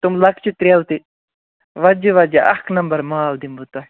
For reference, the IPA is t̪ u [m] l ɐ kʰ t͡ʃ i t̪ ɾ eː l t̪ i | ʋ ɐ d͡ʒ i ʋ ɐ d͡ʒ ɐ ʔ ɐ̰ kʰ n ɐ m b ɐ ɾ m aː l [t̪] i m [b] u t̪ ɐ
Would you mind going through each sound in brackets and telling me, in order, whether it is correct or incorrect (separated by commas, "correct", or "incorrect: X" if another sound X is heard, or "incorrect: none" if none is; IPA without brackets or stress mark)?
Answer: correct, incorrect: d̪, correct